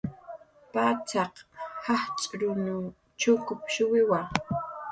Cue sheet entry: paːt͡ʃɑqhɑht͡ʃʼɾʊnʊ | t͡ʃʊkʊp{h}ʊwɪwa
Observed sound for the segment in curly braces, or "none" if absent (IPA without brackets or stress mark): ʃ